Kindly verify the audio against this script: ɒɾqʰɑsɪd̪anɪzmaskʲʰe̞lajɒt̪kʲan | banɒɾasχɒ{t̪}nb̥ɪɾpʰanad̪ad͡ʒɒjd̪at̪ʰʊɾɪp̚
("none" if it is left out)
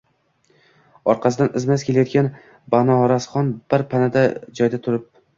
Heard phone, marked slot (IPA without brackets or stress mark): none